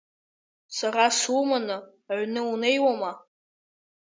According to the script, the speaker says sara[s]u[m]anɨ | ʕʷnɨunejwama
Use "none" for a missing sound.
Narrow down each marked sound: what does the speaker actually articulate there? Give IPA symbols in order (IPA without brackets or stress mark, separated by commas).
s, m